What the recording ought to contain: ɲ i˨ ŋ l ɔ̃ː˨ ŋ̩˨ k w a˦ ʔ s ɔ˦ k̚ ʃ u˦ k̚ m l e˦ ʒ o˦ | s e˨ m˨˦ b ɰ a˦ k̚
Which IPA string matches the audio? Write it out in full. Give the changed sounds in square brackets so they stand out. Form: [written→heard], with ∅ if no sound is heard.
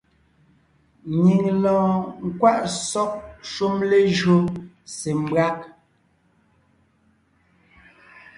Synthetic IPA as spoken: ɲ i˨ ŋ l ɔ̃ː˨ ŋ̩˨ k w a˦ ʔ s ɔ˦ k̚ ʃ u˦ [k̚→∅] m l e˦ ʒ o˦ | s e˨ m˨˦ b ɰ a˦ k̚